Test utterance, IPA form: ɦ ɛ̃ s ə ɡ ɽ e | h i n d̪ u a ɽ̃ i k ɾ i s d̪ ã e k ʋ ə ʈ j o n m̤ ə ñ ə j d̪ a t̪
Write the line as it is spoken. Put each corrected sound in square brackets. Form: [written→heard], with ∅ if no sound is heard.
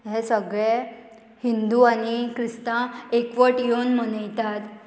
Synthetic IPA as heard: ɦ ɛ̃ s ə ɡ [ɽ→ɭ] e | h i n d̪ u a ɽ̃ i k ɾ i s [d̪→t̪] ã e k ʋ ə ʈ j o n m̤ ə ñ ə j [d̪→t̪] a t̪